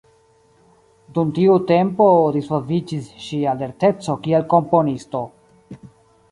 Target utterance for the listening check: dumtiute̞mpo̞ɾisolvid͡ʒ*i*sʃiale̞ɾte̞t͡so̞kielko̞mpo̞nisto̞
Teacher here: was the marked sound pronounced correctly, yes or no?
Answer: yes